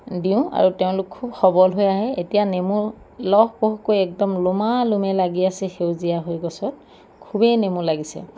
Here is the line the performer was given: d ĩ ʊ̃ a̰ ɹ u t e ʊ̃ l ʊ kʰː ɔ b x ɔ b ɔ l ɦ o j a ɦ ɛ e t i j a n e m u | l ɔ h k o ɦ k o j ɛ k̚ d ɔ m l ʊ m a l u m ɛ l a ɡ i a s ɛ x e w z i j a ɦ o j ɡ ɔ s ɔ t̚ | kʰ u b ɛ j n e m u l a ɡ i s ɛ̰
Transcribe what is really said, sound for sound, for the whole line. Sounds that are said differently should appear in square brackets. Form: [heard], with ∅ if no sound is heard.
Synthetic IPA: d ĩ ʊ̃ a̰ ɹ u t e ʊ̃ l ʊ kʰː [u] b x ɔ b ɔ l ɦ o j a ɦ ɛ e t i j a n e m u | l ɔ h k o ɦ k o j ɛ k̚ d ɔ m l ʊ m a l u m ɛ l a ɡ i a s ɛ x e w z i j a ɦ o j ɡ ɔ s ɔ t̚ | kʰ u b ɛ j n e m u l a ɡ i s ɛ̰